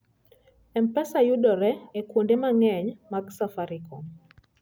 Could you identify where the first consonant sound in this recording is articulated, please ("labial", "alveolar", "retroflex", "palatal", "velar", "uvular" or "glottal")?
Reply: labial